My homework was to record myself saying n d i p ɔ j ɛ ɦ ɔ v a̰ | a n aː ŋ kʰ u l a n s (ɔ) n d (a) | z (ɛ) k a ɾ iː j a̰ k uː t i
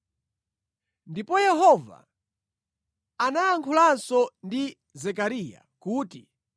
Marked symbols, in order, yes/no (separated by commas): yes, no, yes